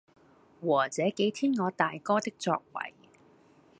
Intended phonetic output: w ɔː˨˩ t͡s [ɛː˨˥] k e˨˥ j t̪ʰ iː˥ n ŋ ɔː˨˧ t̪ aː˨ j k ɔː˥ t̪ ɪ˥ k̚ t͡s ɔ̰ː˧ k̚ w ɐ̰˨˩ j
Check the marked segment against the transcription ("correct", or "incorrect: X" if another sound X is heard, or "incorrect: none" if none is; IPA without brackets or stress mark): correct